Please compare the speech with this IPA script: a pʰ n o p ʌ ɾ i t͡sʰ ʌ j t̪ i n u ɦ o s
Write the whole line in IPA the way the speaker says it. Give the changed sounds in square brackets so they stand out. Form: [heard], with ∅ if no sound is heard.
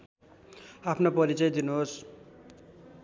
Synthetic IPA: a pʰ n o p ʌ ɾ i [t͡s] ʌ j [d̪] i n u ɦ o s

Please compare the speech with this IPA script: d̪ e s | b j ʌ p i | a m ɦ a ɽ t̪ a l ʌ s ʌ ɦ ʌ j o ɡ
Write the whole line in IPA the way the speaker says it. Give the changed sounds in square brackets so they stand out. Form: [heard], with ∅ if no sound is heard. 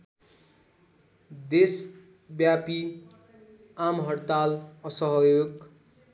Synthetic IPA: d̪ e s | b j [a] p i | a m ɦ [ʌ] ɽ t̪ a l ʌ s ʌ ɦ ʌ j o ɡ

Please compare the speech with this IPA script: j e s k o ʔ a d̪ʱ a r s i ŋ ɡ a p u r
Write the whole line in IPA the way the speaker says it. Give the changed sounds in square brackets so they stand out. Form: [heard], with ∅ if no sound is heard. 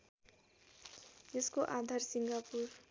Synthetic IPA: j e s k o ʔ a d̪ʱ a r s i ŋ ɡ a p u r

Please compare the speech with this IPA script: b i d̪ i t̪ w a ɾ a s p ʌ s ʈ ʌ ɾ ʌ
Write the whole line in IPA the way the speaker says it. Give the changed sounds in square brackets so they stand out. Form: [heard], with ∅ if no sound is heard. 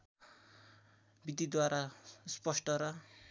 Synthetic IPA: b i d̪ i [d̪] w a ɾ a s p ʌ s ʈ ʌ ɾ ʌ

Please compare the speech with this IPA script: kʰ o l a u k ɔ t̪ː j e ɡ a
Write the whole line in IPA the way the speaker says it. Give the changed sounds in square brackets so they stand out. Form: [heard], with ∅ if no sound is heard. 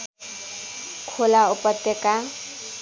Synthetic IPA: kʰ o l a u [p] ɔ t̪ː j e [k] a

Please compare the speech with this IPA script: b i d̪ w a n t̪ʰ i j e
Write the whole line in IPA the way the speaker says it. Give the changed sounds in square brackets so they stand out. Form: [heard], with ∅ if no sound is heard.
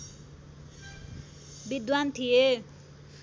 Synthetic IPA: b i d̪ w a n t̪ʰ i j e

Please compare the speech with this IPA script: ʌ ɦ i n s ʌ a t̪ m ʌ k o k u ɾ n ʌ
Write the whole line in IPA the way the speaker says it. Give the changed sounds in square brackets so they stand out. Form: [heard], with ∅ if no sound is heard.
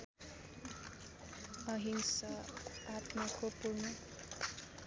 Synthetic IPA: ʌ ɦ i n s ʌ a t̪ m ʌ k o [p] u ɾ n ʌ

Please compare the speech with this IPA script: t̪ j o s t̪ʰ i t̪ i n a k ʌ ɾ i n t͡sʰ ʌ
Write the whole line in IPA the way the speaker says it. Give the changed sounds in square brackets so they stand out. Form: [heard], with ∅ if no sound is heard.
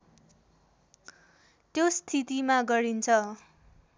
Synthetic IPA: t̪ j o s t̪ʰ i t̪ i [m] a [ɡ] ʌ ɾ i n t͡sʰ ʌ

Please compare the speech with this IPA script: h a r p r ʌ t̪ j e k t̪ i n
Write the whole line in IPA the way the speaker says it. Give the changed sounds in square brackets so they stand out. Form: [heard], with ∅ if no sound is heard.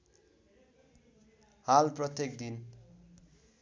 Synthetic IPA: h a [l] p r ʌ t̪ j e k [d̪] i n

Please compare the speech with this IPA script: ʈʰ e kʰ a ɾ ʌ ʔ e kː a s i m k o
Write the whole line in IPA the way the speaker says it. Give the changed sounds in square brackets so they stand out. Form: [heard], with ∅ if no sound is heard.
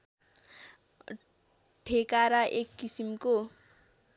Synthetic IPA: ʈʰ e [k] a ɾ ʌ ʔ e kː [i] s i m k o

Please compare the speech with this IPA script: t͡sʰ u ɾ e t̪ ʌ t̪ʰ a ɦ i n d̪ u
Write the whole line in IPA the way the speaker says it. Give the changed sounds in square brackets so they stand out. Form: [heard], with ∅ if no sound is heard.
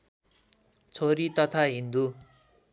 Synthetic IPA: t͡sʰ [o] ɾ [i] t̪ ʌ t̪ʰ a ɦ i n d̪ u

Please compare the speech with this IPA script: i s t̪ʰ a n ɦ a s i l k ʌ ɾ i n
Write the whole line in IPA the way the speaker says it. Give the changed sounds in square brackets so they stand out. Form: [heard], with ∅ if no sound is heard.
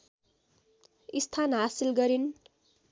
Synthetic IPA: i s t̪ʰ a n ɦ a s i l [ɡ] ʌ ɾ i n

